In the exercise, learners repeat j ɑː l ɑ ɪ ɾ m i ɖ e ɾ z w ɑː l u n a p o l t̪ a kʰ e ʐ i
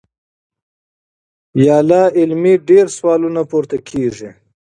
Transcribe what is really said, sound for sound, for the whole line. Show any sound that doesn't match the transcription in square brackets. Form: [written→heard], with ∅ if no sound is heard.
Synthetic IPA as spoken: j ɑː l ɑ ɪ [ɾ→l] m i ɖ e ɾ [z→s] w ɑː l u n a p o [l→ɾ] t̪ a kʰ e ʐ i